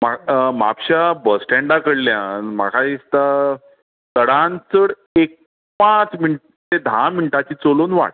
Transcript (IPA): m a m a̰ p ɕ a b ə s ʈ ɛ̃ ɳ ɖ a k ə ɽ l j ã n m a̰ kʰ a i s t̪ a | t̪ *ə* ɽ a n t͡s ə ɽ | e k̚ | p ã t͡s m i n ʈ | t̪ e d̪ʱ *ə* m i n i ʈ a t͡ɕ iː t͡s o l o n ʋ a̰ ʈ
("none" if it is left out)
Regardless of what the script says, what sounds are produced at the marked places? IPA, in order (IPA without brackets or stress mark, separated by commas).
ə, a